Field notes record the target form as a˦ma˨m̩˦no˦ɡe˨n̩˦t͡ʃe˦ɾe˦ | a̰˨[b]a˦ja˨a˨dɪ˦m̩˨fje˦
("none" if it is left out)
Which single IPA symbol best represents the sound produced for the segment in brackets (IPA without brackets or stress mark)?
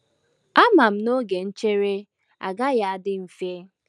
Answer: ɡ